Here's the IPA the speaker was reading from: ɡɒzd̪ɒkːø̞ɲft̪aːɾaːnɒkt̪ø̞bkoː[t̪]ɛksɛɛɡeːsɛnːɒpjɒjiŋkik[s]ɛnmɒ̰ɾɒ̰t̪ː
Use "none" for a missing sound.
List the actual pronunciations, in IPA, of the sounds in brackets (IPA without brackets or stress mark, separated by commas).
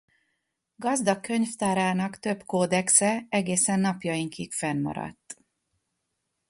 d̪, f